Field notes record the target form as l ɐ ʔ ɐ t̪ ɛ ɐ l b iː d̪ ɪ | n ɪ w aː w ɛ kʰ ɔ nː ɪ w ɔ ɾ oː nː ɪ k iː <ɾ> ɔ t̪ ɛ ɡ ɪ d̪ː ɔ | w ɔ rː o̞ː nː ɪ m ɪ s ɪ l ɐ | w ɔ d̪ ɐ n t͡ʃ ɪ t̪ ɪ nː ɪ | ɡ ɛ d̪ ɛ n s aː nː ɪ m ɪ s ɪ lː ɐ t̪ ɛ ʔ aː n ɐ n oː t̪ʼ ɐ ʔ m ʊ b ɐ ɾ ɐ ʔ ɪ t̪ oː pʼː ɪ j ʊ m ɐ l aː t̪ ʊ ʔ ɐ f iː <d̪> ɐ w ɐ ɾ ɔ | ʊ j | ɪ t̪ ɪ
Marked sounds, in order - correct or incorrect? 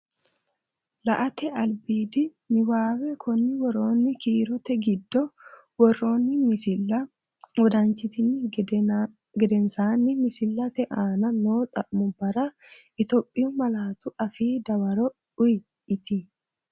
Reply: correct, correct

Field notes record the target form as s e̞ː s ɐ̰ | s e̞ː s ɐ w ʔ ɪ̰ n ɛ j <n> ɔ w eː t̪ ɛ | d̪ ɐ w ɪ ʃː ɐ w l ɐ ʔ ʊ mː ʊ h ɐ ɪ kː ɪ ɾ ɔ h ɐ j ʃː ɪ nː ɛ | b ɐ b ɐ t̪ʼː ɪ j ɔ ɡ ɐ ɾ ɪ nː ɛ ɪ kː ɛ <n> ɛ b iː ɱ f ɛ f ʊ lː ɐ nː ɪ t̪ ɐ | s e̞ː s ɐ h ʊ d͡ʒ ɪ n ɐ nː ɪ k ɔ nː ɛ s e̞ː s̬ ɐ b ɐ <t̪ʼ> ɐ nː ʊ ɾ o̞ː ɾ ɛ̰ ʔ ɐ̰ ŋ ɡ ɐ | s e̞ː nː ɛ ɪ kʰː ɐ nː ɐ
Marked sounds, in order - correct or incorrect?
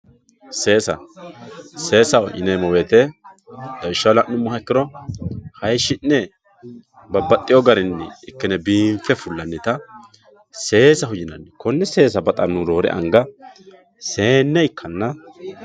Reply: incorrect, correct, correct

